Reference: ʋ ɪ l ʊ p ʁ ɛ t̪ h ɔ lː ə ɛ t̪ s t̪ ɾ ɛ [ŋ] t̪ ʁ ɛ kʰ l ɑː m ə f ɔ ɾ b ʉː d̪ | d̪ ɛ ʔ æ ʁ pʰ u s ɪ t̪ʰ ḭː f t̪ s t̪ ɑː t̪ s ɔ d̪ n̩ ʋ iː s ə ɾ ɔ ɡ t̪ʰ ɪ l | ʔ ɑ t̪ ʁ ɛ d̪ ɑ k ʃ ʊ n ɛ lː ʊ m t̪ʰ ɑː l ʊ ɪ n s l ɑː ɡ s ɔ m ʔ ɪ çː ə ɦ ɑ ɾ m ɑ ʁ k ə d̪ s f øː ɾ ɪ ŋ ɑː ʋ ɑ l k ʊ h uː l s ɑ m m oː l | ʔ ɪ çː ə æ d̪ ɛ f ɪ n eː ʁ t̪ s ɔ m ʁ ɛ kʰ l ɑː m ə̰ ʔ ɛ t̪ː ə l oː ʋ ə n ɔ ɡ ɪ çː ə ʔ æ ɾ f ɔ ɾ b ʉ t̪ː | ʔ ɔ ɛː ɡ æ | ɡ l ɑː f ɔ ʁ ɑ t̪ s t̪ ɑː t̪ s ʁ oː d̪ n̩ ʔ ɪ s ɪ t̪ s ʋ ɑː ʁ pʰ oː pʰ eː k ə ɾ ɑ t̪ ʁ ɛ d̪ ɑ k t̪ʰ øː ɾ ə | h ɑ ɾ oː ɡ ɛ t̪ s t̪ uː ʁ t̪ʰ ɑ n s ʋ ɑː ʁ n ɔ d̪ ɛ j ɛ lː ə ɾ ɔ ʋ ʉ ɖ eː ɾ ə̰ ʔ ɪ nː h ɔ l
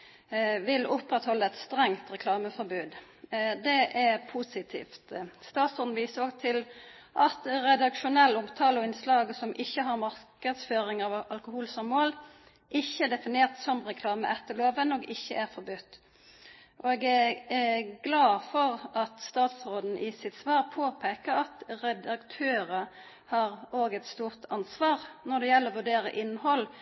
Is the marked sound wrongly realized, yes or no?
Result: no